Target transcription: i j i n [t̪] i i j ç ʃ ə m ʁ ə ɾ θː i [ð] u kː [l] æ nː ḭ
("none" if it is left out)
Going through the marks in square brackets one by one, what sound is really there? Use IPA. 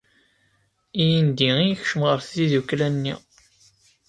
d̪, ð, l

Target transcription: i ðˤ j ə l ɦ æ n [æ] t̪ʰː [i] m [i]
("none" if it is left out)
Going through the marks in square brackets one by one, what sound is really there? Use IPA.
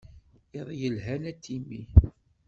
æ, i, i

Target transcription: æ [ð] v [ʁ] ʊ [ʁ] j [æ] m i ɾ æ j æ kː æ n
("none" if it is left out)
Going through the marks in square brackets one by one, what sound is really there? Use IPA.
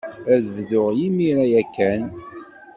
ð, ð, ʁ, i

